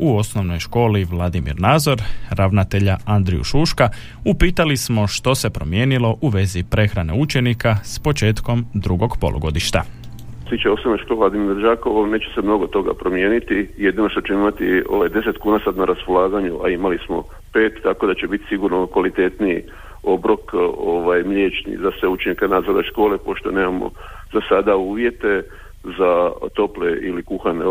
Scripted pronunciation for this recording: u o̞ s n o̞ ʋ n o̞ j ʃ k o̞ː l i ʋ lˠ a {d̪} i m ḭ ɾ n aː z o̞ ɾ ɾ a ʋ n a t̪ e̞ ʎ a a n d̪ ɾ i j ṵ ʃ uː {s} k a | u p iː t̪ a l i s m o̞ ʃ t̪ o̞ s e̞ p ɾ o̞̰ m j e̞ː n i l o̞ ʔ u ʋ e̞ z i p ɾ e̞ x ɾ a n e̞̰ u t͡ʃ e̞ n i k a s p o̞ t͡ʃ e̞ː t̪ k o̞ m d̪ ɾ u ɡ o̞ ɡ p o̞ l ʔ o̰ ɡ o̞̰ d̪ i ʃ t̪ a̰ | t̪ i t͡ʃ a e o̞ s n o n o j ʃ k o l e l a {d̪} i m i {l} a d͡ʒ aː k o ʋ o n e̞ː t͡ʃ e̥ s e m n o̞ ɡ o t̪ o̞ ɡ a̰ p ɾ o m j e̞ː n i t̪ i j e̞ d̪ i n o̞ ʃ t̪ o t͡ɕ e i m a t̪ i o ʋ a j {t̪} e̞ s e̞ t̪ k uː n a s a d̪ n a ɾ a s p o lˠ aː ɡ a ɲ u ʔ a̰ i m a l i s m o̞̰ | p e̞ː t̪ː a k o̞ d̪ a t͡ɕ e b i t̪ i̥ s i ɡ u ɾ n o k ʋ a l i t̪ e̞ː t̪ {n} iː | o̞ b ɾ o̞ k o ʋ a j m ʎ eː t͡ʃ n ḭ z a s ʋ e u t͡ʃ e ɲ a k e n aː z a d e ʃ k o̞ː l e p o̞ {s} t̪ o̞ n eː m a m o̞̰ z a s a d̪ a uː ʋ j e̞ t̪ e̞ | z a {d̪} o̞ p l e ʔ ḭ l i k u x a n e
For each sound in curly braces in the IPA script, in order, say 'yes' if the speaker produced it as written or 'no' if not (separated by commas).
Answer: yes, no, yes, no, no, yes, no, no